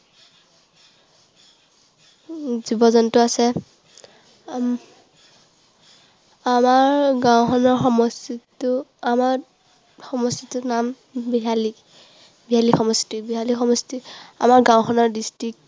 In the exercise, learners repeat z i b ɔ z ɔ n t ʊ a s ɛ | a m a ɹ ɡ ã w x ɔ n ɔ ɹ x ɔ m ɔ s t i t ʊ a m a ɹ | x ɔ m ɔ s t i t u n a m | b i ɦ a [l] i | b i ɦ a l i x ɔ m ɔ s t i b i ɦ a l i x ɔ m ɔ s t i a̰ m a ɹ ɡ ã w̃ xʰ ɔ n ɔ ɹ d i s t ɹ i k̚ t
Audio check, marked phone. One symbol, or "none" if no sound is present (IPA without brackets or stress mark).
l